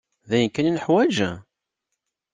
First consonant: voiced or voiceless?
voiced